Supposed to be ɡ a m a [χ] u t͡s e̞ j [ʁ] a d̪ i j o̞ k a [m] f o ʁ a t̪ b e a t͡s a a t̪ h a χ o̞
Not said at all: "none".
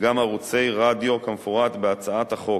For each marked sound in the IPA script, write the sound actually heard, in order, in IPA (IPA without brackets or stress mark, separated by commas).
ʁ, ʁ, m